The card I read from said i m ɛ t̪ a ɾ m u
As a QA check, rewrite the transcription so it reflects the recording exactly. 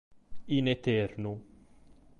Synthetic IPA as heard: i n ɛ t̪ ɛ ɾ n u